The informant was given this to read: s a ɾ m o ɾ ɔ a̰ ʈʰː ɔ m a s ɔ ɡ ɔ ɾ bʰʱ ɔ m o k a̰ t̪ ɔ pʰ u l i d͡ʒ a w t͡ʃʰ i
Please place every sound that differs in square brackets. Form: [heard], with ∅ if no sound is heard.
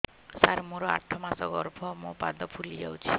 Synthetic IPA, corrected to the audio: s a ɾ m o ɾ ɔ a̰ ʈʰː ɔ m a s ɔ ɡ ɔ ɾ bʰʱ ɔ m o [p] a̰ [d̪] ɔ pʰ u l i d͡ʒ a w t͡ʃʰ i